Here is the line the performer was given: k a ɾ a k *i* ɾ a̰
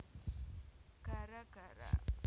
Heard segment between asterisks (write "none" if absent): a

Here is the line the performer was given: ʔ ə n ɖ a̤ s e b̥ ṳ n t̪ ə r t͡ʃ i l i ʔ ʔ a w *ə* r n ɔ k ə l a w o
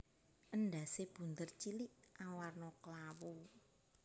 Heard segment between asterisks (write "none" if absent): a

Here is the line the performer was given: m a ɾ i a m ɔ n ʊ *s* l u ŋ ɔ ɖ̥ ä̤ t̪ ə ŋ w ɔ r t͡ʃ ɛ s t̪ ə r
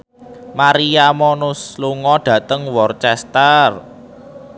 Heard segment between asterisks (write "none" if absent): s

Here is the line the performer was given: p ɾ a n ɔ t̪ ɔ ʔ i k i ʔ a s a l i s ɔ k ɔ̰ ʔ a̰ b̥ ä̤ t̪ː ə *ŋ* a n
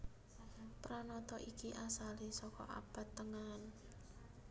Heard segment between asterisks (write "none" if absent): ŋ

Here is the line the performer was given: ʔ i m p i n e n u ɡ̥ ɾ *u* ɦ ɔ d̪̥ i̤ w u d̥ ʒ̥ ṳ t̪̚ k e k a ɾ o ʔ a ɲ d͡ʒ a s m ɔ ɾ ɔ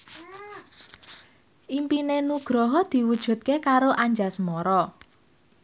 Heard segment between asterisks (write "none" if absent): ɔ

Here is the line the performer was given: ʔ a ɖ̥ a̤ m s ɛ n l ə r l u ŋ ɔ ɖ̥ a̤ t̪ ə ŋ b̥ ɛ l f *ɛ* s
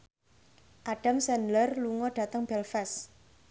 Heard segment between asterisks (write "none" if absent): ɛ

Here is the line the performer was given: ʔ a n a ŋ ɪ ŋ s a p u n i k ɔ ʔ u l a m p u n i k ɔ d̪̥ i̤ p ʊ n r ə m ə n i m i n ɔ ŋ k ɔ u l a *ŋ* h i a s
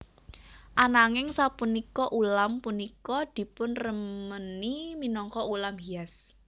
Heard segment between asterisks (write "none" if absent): m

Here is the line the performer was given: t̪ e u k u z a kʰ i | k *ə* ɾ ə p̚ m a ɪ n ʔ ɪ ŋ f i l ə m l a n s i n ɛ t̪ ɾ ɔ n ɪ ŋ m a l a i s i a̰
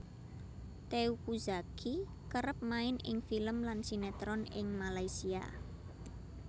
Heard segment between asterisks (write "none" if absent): ə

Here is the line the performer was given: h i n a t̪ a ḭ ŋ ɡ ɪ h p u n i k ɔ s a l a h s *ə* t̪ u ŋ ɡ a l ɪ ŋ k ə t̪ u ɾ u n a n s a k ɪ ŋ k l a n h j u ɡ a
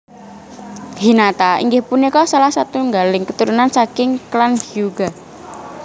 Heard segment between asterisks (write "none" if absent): a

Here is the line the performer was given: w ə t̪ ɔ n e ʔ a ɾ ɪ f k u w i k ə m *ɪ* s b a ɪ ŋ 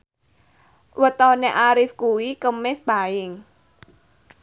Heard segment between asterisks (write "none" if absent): ɪ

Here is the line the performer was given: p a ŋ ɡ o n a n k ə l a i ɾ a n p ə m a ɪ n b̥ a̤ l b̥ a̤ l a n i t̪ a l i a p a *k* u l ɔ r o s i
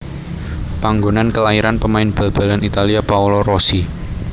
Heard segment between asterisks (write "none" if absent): none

